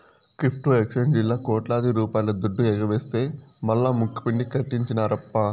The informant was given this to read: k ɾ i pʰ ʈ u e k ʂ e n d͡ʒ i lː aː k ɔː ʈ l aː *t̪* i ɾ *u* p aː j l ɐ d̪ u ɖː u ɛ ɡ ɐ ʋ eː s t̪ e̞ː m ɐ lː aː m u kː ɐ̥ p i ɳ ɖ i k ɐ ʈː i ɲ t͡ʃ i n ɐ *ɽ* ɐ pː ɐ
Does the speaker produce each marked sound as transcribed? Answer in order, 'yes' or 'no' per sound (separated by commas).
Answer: no, no, no